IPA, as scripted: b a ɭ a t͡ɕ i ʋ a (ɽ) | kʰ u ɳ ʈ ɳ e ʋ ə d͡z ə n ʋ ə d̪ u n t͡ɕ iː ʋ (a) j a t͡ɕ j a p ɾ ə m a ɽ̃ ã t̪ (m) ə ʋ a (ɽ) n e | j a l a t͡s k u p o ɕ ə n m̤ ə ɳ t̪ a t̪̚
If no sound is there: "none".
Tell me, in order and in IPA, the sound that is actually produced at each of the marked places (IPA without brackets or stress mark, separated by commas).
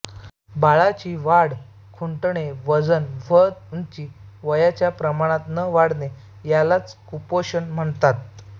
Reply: ɽ, ə, n, ɽ